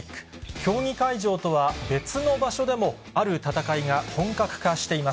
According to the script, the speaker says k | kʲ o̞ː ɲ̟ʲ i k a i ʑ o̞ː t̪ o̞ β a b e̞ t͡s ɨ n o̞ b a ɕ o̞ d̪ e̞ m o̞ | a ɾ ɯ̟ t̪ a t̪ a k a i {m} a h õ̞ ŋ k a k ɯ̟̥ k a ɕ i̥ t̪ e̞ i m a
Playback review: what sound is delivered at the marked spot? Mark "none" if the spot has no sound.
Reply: ŋ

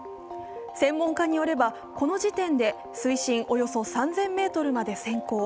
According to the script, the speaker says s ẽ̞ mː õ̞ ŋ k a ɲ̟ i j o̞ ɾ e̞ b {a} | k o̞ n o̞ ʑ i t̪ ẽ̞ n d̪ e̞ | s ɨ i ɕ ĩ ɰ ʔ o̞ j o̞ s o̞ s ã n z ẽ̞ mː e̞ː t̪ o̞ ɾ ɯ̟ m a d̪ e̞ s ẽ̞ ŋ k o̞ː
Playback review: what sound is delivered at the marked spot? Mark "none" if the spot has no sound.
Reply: a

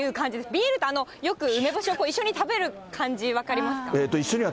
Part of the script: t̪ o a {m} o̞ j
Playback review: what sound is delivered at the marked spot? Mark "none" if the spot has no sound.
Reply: n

